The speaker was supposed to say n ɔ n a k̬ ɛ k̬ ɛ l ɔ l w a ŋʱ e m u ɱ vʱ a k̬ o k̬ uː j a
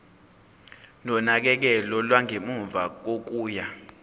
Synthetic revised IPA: n ɔ n a k̬ ɛ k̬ ɛ l ɔ l w a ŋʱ e m u ɱ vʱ a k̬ o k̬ uː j a